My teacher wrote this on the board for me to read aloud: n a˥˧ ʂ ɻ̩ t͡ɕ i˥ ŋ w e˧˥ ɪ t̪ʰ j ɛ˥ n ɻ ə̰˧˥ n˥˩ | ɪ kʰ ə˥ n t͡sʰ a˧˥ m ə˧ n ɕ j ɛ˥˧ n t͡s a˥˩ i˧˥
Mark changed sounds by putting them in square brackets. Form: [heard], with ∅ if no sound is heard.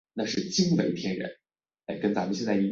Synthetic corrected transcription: n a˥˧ ʂ ɻ̩ t͡ɕ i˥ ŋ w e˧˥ ɪ t̪ʰ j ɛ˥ n ɻ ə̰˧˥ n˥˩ | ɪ [k] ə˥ n [t͡s] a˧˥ m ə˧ n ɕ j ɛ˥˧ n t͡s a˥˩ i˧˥